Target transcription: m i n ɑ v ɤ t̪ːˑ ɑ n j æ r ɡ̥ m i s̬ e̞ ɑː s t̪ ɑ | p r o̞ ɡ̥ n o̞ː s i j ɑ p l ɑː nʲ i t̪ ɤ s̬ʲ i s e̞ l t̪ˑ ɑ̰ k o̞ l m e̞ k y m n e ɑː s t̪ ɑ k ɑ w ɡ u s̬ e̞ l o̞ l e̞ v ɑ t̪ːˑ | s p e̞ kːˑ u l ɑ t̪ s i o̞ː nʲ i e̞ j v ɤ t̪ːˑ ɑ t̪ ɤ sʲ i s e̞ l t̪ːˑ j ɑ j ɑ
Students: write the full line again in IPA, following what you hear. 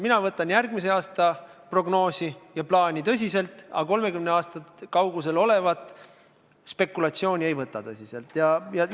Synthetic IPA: m i n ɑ v ɤ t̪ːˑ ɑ n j æ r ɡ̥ m i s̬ e̞ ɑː s t̪ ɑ | p r o̞ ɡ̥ n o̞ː s i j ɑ p l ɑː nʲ i t̪ ɤ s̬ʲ i s e̞ l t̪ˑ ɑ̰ k o̞ l m e̞ k y m n e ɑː s t̪ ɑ k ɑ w ɡ u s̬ e̞ l o̞ l e̞ v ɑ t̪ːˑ | s p e̞ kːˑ u l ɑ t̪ s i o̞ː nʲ i e̞ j v ɤ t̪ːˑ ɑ t̪ ɤ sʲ i s e̞ l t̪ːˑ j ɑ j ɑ